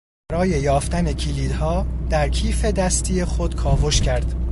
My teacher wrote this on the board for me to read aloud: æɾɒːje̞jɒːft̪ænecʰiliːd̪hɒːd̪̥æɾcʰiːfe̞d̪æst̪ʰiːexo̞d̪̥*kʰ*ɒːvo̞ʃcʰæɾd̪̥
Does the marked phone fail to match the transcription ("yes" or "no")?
no